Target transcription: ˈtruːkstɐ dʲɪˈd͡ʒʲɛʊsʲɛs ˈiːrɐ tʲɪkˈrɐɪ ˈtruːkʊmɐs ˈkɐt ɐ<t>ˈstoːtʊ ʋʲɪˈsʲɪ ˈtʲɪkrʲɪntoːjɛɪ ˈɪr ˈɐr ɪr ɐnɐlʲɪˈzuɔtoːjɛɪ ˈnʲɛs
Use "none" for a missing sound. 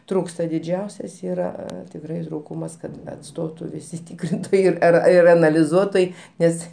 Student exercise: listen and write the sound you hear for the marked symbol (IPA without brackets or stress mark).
t